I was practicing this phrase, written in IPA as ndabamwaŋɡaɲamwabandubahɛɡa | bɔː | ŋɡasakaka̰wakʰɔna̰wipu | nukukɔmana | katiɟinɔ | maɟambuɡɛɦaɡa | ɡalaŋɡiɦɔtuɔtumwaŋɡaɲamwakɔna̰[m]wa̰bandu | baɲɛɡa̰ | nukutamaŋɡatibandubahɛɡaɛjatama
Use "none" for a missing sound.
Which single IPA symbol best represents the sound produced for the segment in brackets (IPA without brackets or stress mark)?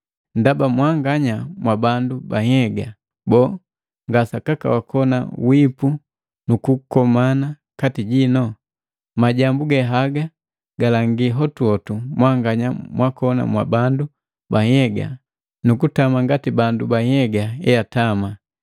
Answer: m